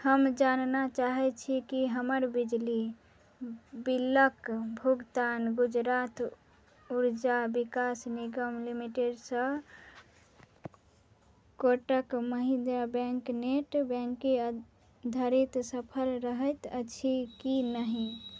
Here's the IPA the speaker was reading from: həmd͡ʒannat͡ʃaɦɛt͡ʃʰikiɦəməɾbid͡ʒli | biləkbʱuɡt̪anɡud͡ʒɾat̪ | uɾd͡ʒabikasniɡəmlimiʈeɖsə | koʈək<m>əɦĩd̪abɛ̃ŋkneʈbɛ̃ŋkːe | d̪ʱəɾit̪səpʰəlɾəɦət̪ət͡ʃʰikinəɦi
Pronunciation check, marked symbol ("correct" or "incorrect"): correct